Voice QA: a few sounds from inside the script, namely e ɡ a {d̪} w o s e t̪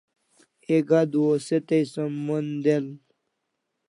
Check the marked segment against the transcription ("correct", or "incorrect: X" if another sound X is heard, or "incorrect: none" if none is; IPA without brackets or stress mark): correct